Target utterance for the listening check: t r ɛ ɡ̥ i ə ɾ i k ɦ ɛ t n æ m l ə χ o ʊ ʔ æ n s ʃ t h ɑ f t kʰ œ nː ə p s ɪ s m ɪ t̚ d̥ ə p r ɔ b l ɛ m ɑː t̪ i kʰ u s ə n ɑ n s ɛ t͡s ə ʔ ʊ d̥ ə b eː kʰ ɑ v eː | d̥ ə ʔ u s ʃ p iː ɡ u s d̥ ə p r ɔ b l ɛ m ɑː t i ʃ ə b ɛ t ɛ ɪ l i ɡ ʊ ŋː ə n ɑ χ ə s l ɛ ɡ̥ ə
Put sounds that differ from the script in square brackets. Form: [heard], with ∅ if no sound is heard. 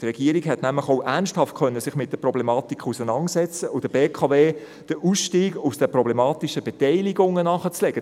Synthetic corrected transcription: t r ɛ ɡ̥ i ə ɾ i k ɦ ɛ t n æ m l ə χ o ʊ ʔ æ n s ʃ t h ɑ f t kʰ œ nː ə [∅] s ɪ [χ] m ɪ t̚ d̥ ə p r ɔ b l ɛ m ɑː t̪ i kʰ u s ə n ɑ n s ɛ t͡s ə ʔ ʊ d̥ ə b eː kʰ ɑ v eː | d̥ ə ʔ u s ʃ [t] iː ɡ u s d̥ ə p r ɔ b l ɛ m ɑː t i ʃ ə b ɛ t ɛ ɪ l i ɡ ʊ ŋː ə n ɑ χ ə [t͡s] l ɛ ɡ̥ ə